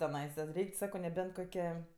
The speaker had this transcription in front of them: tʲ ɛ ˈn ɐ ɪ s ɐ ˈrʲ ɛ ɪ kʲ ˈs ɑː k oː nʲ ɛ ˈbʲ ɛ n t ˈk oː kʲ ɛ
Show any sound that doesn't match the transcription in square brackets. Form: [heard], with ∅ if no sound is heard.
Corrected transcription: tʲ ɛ ˈn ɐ ɪ s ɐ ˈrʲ ɛ ɪ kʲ ˈs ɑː k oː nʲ ɛ ˈbʲ ɛ n t ˈk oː kʲ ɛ

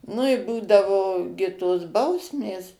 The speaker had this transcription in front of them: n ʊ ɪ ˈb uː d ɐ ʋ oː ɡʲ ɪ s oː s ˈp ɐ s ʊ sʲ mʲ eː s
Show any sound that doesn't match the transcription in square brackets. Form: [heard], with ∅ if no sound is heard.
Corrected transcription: n ʊ ɪ ˈb uː d ɐ ʋ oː ɡʲ ɪ [t] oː s [ˈb] ɐ [∅] ʊ sʲ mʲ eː s

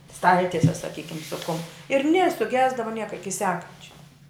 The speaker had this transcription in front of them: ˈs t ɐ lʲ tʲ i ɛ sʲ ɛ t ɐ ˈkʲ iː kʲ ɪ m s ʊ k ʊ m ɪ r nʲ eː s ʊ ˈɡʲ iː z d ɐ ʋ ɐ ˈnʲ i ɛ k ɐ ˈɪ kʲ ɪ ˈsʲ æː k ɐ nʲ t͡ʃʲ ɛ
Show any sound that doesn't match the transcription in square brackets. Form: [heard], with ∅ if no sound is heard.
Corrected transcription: ˈs t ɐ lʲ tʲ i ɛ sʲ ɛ [s] ɐ ˈkʲ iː kʲ ɪ m s ʊ k ʊ m ɪ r nʲ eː s ʊ ˈɡʲ [æː] z d ɐ ʋ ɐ ˈnʲ i ɛ k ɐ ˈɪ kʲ ɪ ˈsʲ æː k ɐ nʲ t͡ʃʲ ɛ

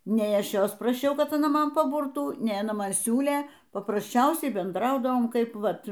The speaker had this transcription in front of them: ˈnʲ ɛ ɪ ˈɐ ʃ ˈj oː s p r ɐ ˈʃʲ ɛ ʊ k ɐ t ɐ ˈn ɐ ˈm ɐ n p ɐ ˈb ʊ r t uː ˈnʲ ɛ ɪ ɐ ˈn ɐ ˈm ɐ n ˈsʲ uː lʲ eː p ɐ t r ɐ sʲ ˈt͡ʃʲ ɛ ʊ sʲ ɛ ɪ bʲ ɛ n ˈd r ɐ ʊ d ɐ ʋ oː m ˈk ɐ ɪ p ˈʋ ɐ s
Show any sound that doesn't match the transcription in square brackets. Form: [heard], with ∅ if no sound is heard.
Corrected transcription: ˈnʲ ɛ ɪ ˈɐ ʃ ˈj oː s p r ɐ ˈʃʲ ɛ ʊ k ɐ t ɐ ˈn ɐ ˈm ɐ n p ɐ ˈb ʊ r t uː ˈnʲ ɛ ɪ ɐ ˈn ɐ ˈm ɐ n ˈsʲ uː lʲ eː p ɐ [p] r ɐ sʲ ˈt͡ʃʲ ɛ ʊ sʲ ɛ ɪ bʲ ɛ n ˈd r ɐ ʊ d ɐ ʋ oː m ˈk ɐ ɪ p ˈʋ ɐ [t]

